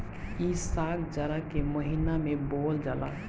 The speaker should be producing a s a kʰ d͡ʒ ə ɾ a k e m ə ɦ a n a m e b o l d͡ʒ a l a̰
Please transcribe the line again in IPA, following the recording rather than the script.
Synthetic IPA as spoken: i s a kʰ d͡ʒ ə ɾ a k e m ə ɦ i n a m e b o l d͡ʒ a l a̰